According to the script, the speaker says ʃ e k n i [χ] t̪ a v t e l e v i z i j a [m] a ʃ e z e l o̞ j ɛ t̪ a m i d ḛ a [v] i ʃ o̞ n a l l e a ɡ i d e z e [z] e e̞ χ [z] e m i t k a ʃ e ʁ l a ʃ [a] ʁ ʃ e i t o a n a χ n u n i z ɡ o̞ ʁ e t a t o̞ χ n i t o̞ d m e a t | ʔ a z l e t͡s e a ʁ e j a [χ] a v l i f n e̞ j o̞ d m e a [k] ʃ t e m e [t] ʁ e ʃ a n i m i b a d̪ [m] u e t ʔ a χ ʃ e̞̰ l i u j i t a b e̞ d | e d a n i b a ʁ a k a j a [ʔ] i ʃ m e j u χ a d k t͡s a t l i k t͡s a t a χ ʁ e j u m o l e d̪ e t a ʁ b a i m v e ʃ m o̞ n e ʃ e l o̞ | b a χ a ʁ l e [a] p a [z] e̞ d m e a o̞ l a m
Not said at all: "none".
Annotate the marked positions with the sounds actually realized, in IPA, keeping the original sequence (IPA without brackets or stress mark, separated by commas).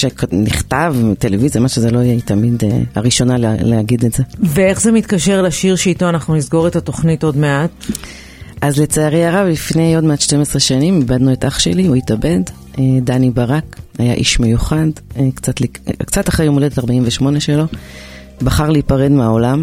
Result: χ, m, ʁ, v, z, i, ʁ, t, s, n, ʔ, i, ʁ